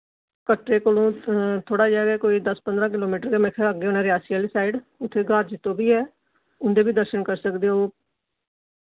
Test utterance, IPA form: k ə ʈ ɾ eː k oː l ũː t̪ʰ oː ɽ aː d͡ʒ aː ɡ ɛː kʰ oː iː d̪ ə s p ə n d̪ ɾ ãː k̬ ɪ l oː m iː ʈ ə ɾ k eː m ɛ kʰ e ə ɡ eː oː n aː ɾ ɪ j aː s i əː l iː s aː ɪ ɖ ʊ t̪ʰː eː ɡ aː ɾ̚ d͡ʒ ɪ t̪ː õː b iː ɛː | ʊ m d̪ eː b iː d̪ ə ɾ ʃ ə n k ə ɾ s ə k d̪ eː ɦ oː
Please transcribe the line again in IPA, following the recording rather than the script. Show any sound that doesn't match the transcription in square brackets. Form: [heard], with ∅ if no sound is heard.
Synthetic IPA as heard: k ə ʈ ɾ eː k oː l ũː t̪ʰ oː ɽ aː d͡ʒ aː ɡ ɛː [k] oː iː d̪ ə s p ə n d̪ ɾ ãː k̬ ɪ l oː m iː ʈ ə ɾ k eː m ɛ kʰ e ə ɡ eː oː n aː ɾ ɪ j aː s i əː l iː s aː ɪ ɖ ʊ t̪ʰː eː ɡ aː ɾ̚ d͡ʒ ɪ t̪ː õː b iː ɛː | ʊ [n] d̪ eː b iː d̪ ə ɾ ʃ ə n k ə ɾ s ə k d̪ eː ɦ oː